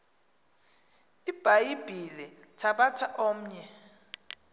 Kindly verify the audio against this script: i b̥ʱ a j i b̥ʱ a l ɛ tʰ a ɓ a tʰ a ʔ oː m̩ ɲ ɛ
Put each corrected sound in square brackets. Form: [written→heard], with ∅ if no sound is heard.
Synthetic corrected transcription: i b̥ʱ a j i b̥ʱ [a→i] l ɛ tʰ a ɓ a tʰ a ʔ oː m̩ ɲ ɛ